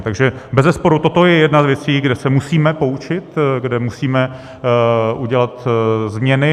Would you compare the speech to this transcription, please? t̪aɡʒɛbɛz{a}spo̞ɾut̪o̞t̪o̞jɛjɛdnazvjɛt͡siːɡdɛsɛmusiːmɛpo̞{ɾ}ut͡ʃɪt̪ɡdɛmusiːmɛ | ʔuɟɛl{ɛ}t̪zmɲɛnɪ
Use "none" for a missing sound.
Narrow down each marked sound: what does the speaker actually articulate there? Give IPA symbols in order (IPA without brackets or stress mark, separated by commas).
ɛ, none, a